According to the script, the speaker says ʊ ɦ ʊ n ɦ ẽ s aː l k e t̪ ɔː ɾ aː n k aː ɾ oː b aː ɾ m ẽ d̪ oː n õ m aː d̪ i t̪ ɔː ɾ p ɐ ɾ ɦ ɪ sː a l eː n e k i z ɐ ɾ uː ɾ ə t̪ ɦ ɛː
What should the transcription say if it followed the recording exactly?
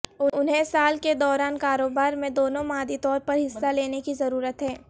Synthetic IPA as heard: ʊ ʊ n ɦ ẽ s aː l k e d̪ ɔː ɾ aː n k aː ɾ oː b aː ɾ m ẽ d̪ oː n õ m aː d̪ i t̪ ɔː ɾ p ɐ ɾ ɦ ɪ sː a l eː n e k i z ɐ ɾ uː ɾ ə t̪ ɦ ɛː